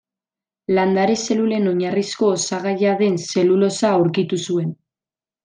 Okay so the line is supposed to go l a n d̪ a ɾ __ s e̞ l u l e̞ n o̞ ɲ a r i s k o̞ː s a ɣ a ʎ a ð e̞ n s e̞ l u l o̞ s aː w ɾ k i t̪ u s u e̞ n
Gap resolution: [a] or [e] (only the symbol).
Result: e